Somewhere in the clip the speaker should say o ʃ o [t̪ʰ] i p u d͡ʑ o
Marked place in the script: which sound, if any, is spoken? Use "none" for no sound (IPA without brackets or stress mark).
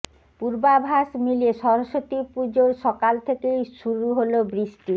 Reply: t̪